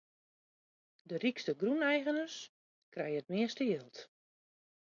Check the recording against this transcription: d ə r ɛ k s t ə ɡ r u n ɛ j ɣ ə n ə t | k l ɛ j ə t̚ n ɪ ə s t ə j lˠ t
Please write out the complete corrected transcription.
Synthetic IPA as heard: d ə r i k s t ə ɡ r u n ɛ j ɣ ə n ə s | k r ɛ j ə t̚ m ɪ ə s t ə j lˠ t